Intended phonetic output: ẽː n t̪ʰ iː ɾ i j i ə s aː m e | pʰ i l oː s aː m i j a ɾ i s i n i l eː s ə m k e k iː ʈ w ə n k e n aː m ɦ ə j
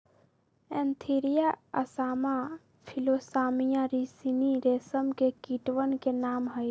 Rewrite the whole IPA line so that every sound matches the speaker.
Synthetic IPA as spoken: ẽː n t̪ʰ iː ɾ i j a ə s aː m a | pʰ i l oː s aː m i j a ɾ i s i n i ɾ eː s ə m k e k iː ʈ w ə n k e n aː m ɦ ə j